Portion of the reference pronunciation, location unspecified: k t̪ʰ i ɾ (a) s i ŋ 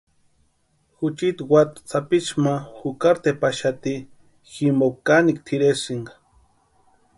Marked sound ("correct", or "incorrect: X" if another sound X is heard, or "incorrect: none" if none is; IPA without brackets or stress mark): incorrect: e